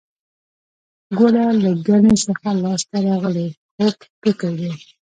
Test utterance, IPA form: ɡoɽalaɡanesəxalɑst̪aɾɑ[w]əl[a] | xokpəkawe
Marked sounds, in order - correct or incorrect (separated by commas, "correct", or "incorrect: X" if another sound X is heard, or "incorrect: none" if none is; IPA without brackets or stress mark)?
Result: incorrect: ɣ, incorrect: e